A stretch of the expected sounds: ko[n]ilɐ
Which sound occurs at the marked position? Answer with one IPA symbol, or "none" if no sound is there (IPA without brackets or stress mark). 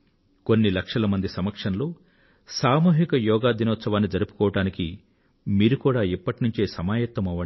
nː